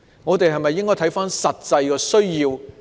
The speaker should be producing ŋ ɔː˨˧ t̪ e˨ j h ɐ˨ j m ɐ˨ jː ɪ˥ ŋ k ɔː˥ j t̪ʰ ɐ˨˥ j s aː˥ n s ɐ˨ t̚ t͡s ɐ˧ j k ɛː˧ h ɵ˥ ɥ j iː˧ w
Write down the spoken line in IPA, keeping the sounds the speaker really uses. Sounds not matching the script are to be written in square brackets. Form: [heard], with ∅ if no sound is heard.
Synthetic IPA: ŋ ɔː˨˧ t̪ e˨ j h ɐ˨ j m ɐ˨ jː ɪ˥ ŋ k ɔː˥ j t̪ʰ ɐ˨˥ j [f] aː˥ n s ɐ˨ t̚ t͡s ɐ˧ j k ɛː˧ [s] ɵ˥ ɥ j iː˧ w